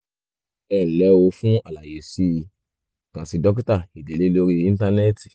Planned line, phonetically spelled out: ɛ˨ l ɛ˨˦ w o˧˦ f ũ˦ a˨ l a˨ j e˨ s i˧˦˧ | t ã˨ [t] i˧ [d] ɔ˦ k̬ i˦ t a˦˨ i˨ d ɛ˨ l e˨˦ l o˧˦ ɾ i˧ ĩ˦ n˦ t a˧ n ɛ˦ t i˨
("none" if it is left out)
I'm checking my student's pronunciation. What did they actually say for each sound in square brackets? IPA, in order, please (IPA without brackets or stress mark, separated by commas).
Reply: s, d